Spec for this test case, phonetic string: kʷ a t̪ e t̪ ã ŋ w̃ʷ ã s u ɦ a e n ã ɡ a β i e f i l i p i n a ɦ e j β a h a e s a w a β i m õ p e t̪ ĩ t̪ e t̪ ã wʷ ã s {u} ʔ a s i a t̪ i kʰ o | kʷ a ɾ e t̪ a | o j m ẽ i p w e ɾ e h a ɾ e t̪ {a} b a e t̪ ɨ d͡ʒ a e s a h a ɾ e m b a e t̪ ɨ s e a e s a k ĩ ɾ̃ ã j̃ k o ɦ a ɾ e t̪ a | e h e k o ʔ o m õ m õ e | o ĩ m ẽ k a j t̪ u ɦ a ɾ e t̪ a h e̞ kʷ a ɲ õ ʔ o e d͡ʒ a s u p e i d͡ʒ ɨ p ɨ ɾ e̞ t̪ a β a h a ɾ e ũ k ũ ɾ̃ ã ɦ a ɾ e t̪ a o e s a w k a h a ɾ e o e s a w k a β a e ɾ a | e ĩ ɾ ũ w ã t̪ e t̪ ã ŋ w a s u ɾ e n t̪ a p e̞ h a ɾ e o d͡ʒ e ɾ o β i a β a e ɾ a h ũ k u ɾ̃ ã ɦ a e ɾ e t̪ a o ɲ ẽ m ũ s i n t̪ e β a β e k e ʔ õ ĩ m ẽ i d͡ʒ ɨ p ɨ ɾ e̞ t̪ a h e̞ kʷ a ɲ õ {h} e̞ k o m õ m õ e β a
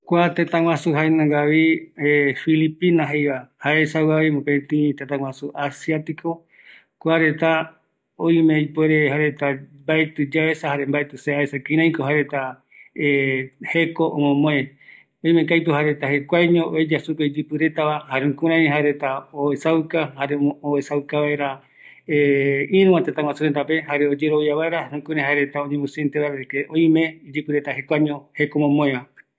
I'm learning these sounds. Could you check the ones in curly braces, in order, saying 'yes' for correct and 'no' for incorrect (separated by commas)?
yes, yes, yes